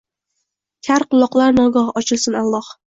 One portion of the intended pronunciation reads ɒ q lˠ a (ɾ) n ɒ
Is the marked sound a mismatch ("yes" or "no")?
no